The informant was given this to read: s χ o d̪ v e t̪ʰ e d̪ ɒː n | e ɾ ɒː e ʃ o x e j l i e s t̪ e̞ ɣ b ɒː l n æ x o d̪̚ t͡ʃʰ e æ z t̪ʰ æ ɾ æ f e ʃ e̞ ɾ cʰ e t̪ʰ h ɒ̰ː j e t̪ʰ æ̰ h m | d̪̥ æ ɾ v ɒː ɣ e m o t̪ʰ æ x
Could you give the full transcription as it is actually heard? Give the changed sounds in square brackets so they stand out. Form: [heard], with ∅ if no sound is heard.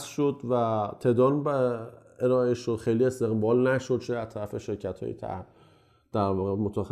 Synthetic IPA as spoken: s [ʃ] o d̪ v [æ] t̪ʰ e d̪ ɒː n | e ɾ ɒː e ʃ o x e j l i e s t̪ e̞ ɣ b ɒː l n æ [ʃ] o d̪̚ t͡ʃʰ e æ z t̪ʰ æ ɾ æ f e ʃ e̞ ɾ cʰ [æ] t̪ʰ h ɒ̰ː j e t̪ʰ æ̰ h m | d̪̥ æ ɾ v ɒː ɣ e m o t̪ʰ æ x